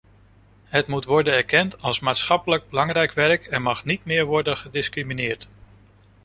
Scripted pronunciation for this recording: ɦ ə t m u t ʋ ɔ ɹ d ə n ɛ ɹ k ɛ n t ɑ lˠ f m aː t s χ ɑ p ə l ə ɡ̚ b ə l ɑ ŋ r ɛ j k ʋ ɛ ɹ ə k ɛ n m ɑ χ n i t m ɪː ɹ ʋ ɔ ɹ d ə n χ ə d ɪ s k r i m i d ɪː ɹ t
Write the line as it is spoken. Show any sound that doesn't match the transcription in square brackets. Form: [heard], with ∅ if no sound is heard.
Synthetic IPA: ɦ ə t m u t ʋ ɔ ɹ d ə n ɛ ɹ k ɛ n t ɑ lˠ [s] m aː t s χ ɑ p ə l ə ɡ̚ b ə l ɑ ŋ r ɛ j k ʋ ɛ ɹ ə k ɛ n m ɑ χ n i t m ɪː ɹ ʋ ɔ ɹ d ə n χ ə d ɪ s k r i m i [n] ɪː ɹ t